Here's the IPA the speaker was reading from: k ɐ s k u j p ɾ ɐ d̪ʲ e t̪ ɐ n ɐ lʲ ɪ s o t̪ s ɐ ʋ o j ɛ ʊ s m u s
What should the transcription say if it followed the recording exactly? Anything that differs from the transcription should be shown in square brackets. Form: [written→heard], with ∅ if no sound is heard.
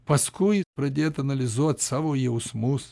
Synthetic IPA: [k→p] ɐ s k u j p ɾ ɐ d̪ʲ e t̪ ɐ n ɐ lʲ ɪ [s→z] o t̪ s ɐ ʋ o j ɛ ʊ s m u s

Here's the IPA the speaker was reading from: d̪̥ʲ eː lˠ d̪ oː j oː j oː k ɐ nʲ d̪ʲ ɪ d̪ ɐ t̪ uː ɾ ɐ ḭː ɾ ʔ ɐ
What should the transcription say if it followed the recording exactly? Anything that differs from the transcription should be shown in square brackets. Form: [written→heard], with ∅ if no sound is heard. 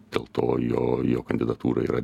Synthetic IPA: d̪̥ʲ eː lˠ [d̪→t̪] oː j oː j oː k ɐ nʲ d̪ʲ ɪ d̪ ɐ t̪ uː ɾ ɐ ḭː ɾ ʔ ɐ

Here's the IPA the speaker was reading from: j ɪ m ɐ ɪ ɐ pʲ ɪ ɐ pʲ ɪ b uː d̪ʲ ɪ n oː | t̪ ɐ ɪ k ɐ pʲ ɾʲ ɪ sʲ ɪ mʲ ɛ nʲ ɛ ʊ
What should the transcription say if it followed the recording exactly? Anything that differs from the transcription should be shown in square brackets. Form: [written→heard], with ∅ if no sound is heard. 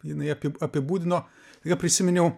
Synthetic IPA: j ɪ [m→n] ɐ ɪ ɐ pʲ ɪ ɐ pʲ ɪ b uː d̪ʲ ɪ n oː | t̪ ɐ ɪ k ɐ pʲ ɾʲ ɪ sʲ ɪ mʲ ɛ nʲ ɛ ʊ

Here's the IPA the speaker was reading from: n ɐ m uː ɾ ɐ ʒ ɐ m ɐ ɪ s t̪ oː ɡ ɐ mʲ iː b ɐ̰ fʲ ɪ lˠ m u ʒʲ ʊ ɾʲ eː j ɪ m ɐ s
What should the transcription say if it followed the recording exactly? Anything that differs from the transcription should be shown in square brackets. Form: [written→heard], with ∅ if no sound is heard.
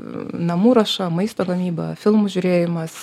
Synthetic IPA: n ɐ m uː ɾ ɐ [ʒ→ʃ] ɐ m ɐ ɪ s t̪ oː ɡ ɐ mʲ iː b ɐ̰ fʲ ɪ lˠ m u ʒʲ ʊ ɾʲ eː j ɪ m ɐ s

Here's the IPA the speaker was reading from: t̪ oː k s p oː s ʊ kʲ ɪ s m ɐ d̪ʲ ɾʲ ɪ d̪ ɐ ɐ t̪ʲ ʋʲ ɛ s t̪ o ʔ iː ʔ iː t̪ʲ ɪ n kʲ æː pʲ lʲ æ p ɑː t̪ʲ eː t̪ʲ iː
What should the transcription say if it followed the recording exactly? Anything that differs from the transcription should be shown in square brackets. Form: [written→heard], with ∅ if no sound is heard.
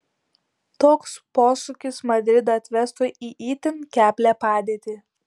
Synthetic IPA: t̪ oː k s p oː s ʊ kʲ ɪ s m ɐ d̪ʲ ɾʲ ɪ d̪ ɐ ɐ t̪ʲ ʋʲ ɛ s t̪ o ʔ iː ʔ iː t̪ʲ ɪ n kʲ æː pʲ lʲ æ p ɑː [t̪ʲ→d̪ʲ] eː t̪ʲ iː

